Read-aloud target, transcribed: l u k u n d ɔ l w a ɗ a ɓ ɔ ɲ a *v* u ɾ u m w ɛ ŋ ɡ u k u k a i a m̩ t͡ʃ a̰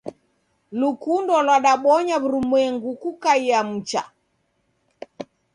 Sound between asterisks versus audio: incorrect: β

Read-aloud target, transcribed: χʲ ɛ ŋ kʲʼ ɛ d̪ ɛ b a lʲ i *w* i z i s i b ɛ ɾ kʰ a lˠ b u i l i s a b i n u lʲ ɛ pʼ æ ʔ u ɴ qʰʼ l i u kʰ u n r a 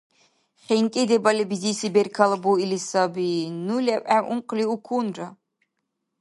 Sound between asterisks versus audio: incorrect: b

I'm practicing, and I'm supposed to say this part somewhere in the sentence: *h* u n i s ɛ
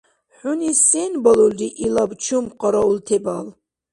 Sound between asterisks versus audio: incorrect: ħ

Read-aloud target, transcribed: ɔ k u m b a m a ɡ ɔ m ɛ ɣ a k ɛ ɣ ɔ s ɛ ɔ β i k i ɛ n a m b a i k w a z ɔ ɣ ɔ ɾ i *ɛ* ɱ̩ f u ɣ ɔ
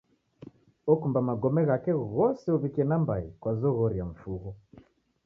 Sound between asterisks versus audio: incorrect: a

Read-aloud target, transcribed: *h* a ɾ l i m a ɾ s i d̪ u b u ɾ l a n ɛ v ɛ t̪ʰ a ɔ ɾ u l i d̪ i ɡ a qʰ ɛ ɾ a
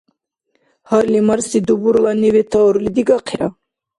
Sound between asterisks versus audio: correct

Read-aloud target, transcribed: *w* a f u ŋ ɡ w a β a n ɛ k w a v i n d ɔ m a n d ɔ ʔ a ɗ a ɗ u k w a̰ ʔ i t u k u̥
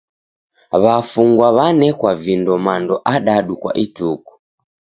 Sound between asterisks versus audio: incorrect: β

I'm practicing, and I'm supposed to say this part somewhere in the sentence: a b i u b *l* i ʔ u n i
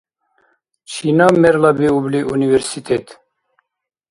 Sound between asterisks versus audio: correct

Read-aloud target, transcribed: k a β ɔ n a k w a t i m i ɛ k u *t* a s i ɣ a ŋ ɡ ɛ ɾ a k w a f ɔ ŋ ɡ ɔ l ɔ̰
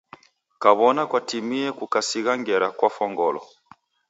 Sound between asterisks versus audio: incorrect: k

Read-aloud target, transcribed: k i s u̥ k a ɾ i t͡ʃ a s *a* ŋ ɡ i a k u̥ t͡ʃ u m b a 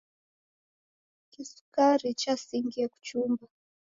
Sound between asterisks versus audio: incorrect: i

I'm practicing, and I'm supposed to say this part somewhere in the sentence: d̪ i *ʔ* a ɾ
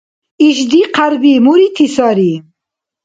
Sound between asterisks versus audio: incorrect: q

